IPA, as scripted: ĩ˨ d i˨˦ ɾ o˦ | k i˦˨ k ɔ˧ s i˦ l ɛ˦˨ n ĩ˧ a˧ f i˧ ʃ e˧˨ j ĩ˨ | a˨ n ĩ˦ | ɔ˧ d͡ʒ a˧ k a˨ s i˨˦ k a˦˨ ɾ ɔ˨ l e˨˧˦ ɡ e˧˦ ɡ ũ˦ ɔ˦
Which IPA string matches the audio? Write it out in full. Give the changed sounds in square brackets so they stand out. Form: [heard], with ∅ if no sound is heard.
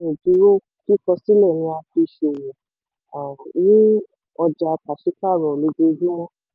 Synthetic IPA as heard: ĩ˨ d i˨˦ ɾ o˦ | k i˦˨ k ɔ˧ s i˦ l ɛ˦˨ n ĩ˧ a˧ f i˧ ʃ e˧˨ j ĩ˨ | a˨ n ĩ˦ | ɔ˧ d͡ʒ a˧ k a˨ [ʃ] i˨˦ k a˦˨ ɾ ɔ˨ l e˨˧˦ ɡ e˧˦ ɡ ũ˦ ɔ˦